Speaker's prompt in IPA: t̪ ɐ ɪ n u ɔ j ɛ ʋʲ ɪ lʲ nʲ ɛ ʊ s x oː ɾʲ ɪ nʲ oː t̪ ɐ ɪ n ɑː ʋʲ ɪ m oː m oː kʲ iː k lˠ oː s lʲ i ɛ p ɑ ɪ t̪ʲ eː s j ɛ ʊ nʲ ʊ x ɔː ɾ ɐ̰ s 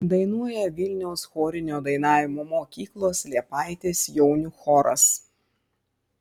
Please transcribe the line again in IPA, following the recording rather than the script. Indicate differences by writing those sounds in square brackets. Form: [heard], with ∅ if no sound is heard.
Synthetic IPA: [d̪] ɐ ɪ n u ɔ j ɛ ʋʲ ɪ lʲ nʲ ɛ ʊ s x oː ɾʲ ɪ nʲ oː [d̪] ɐ ɪ n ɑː ʋʲ ɪ m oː m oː kʲ iː k lˠ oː s lʲ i ɛ p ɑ ɪ t̪ʲ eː s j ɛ ʊ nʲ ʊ x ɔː ɾ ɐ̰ s